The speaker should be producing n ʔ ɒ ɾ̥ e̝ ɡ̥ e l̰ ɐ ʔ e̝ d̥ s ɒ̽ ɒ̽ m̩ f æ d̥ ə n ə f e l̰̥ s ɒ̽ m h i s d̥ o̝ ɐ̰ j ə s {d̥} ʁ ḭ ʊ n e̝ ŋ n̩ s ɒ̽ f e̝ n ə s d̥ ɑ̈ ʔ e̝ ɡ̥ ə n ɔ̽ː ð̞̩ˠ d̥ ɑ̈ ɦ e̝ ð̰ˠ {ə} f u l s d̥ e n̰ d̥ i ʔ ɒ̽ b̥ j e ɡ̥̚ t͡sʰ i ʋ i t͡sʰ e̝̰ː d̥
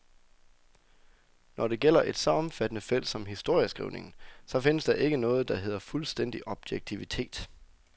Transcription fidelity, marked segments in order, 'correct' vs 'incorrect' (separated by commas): incorrect, incorrect